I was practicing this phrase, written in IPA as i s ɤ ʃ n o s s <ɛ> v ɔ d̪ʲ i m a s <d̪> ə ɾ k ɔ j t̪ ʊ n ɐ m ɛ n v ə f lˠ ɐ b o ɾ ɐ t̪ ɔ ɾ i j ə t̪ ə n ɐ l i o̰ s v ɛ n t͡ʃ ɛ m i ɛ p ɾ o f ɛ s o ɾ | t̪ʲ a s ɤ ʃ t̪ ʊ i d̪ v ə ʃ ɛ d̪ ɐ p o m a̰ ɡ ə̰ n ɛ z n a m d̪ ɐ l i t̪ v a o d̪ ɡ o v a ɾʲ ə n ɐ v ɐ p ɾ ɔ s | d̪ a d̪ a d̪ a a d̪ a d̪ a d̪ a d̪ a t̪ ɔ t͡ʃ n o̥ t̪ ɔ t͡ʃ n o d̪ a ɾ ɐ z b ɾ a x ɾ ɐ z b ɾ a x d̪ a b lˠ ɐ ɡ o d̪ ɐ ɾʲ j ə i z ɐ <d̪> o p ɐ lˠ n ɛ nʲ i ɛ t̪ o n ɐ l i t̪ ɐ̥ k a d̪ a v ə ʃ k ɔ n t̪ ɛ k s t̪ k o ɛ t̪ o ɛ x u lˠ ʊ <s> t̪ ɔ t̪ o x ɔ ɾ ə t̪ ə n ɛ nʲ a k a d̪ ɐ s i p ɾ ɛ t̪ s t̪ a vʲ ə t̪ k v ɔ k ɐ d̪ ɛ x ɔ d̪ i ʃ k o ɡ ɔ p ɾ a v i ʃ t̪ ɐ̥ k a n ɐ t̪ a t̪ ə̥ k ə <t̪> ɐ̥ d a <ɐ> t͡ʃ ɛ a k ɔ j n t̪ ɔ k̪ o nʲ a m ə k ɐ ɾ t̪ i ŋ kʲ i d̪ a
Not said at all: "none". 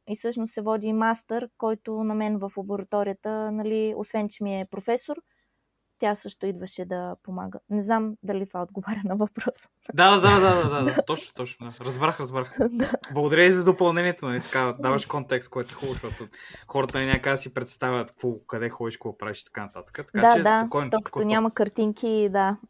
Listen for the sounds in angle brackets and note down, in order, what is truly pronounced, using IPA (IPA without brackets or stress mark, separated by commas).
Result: ɛ, t̪, d̪, ʃ, t̪, a